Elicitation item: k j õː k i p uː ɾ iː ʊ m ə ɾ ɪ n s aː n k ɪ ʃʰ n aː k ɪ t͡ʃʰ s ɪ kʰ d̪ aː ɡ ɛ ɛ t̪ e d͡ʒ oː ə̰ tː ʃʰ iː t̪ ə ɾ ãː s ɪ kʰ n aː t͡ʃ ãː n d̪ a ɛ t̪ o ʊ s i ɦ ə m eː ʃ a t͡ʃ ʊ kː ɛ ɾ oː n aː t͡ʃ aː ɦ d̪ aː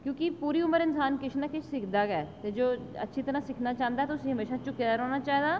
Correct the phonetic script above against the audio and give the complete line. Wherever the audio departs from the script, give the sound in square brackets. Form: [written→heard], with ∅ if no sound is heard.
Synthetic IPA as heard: k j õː k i p uː ɾ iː ʊ m ə ɾ ɪ n s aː n k ɪ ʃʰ n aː k ɪ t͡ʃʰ s ɪ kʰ d̪ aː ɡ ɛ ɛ t̪ e d͡ʒ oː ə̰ tː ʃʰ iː t̪ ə ɾ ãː s ɪ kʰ n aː t͡ʃ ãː n d̪ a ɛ t̪ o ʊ s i ɦ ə m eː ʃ a t͡ʃ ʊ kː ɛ ɾ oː n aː t͡ʃ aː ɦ d̪ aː